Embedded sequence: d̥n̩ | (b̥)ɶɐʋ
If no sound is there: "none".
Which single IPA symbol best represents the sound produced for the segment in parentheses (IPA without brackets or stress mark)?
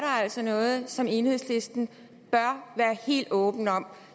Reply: b̥